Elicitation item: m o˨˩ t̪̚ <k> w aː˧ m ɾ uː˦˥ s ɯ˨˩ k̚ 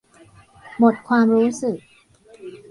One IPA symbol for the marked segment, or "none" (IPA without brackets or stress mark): kʰ